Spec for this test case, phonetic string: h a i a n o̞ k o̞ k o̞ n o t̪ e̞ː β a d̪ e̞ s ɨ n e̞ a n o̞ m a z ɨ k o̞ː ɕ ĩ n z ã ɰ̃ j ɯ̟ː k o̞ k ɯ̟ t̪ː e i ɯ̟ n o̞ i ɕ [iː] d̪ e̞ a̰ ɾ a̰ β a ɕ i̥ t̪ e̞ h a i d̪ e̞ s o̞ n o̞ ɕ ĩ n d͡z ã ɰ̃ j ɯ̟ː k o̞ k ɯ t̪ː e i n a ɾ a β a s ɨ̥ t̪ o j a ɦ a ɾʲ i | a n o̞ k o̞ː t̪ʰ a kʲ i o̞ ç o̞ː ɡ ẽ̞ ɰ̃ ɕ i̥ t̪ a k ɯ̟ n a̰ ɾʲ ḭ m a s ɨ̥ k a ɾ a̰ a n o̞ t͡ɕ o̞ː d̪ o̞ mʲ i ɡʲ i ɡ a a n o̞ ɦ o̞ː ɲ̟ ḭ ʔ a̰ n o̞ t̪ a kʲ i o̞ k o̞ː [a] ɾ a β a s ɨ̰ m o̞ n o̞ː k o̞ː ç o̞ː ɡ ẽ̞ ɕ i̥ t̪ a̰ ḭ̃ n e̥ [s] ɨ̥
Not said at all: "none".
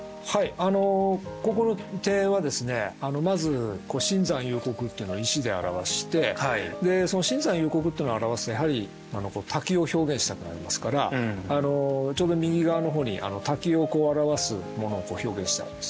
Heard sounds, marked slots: i, a, s

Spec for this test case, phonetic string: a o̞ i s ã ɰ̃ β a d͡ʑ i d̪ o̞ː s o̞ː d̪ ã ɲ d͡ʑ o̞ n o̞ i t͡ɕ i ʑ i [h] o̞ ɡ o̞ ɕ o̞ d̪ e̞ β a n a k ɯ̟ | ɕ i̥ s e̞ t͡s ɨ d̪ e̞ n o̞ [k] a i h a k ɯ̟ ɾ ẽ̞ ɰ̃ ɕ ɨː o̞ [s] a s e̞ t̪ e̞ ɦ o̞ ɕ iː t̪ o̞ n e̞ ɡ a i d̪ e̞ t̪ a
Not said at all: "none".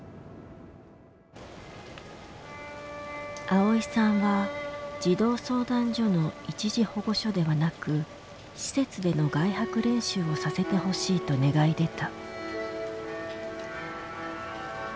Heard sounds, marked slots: h, ɡ, s

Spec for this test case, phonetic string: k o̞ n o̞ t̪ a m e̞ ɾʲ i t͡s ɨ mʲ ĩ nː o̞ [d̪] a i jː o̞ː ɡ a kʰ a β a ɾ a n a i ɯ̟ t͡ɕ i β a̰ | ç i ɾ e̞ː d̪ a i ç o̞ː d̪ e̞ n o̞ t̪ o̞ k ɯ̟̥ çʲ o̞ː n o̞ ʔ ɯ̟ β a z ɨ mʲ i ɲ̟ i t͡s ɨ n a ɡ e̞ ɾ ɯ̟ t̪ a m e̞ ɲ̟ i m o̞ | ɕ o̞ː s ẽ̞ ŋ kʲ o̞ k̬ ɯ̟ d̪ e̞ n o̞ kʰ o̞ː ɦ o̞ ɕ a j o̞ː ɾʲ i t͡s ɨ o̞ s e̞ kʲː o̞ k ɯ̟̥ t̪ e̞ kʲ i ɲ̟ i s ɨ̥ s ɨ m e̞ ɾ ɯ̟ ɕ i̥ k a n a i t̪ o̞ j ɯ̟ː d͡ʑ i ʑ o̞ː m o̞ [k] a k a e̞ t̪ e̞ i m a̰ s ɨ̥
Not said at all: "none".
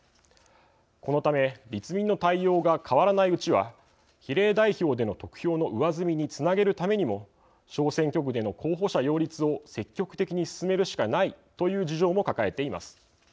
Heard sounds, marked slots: t̪, k

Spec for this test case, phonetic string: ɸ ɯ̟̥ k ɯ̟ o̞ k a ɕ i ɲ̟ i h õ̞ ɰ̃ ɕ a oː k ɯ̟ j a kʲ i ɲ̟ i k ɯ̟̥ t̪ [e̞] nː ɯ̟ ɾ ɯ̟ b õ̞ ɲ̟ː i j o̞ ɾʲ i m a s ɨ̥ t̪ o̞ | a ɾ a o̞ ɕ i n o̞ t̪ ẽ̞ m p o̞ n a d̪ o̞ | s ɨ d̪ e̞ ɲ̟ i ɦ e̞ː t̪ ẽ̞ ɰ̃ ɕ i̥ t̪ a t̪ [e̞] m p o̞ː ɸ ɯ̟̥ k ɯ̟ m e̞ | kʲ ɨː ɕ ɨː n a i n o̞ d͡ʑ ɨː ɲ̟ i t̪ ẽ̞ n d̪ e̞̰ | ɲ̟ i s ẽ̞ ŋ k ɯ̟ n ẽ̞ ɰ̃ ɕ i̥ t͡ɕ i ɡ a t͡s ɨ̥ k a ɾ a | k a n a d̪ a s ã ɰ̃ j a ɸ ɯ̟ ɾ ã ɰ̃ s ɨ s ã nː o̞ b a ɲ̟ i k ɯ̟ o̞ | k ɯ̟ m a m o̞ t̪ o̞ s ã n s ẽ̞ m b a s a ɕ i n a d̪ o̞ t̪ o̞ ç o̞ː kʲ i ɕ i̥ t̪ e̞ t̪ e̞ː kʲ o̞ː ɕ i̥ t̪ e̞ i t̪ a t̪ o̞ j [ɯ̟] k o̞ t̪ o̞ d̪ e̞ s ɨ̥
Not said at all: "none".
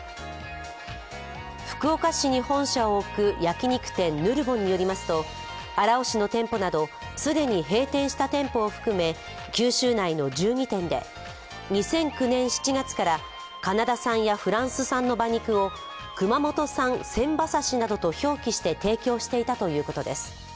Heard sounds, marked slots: ẽ̞, ẽ̞, ɯ̟ː

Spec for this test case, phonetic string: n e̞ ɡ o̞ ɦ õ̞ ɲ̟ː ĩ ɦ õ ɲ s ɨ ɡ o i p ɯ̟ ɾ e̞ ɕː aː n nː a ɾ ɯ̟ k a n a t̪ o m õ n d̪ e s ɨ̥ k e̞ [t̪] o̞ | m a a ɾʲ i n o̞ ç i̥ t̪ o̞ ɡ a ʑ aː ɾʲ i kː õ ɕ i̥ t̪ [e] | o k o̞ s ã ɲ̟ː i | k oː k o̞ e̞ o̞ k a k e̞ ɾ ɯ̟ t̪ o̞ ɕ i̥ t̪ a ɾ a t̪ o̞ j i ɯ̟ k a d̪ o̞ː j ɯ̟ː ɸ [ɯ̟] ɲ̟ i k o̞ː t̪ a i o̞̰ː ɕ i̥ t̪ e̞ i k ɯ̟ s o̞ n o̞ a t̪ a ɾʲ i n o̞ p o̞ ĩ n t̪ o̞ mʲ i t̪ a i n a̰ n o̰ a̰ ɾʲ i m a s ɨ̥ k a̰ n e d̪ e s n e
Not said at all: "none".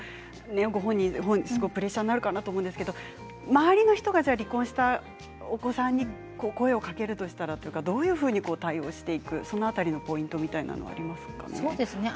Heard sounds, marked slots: d̪, a, ɯ̟ː

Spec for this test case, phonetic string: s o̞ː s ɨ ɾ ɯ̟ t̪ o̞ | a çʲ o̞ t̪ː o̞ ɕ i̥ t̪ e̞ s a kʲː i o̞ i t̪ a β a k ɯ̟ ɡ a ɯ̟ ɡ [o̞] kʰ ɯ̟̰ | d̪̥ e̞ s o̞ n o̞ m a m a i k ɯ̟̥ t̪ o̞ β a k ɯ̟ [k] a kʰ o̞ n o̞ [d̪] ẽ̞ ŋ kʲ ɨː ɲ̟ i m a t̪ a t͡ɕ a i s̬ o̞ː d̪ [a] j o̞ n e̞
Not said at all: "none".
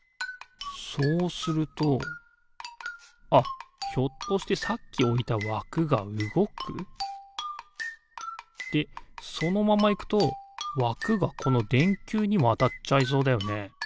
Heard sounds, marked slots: o̞, ɡ, d̪, a

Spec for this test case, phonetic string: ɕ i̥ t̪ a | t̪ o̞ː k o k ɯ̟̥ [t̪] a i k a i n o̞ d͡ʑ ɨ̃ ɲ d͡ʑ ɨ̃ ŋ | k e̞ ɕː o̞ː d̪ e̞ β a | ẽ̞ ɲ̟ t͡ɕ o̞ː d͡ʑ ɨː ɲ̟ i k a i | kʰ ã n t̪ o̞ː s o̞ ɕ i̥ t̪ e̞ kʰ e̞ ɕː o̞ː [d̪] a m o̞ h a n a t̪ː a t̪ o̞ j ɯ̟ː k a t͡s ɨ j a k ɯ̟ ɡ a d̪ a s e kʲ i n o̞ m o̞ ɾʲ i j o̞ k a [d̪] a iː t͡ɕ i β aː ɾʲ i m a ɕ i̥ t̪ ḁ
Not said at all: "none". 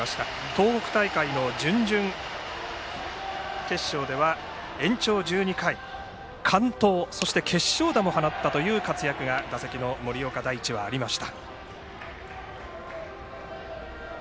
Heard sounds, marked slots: t̪, d̪, d̪

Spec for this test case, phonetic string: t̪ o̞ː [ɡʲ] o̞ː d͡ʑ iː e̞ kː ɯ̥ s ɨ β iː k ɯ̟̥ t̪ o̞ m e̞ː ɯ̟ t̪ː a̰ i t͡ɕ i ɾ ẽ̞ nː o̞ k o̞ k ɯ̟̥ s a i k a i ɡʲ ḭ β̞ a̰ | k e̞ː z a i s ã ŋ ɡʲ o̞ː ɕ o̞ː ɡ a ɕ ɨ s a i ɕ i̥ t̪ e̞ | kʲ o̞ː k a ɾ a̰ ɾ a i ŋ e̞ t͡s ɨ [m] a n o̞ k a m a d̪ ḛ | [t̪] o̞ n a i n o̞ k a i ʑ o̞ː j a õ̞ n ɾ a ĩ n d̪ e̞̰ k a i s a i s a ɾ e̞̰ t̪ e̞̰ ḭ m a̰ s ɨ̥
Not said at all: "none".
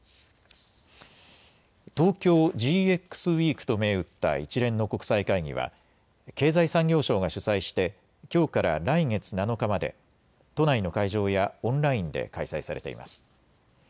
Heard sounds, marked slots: kʲ, n, t̪

